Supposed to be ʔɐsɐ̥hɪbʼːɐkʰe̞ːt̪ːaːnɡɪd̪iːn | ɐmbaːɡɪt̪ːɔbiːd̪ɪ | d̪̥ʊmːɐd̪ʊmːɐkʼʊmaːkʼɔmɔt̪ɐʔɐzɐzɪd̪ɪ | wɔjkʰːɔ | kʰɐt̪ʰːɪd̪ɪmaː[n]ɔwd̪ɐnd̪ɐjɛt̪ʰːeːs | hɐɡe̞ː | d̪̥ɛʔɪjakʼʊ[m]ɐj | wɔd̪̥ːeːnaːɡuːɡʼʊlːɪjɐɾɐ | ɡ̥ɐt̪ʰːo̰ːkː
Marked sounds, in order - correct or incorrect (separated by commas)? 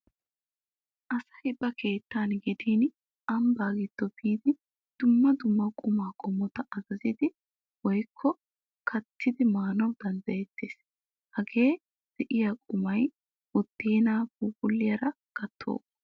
correct, correct